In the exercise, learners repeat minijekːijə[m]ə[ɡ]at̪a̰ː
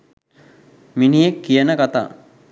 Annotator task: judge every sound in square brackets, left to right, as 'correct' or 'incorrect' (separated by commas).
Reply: incorrect, incorrect